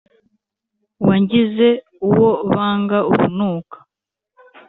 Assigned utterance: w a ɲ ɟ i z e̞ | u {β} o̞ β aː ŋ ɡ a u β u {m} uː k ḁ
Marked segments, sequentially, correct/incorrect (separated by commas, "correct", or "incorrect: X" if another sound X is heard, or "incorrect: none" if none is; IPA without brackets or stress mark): incorrect: w, incorrect: n